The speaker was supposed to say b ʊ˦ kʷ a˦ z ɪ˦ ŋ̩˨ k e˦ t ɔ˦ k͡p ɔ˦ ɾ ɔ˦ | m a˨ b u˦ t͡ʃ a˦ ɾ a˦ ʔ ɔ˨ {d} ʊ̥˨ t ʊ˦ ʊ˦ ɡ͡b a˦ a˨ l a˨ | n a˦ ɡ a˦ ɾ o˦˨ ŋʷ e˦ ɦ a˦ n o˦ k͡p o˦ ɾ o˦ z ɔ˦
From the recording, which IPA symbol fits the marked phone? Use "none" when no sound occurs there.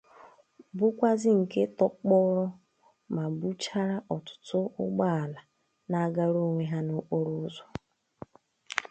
t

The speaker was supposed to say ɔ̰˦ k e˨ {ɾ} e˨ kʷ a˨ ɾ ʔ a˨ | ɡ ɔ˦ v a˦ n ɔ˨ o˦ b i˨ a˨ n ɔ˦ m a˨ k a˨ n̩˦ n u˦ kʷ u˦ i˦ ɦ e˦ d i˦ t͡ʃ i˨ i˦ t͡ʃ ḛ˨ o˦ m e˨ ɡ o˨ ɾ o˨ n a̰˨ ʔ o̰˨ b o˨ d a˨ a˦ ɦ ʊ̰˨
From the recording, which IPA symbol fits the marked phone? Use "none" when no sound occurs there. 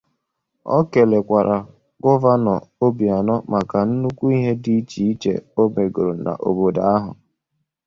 l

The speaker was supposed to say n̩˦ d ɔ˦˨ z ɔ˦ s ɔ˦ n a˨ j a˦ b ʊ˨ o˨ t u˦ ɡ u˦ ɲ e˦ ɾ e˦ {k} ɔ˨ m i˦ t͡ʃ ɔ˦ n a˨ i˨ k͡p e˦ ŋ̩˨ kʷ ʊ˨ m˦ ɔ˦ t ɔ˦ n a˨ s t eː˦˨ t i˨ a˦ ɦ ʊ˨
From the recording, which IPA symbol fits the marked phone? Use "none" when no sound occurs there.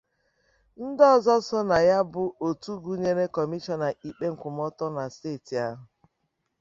k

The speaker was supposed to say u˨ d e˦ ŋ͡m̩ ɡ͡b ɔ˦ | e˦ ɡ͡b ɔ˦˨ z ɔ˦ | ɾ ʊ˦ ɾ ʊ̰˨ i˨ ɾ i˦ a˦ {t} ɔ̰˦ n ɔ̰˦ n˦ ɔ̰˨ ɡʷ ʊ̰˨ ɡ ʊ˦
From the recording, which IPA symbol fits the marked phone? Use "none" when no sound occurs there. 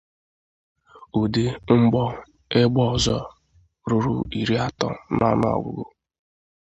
t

